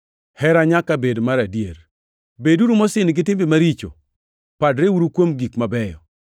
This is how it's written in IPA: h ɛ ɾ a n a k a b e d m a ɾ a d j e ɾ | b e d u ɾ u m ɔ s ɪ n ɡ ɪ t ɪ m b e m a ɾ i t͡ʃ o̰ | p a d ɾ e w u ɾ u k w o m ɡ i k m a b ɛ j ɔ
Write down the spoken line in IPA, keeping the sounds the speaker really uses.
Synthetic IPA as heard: h ɛ ɾ a ɲ a k a b e d m a ɾ a d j e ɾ | b e d u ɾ u m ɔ s ɪ n ɡ ɪ t ɪ m b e m a ɾ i t͡ʃ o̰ | p a d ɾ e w u ɾ u k w o m ɡ i k m a b ɛ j ɔ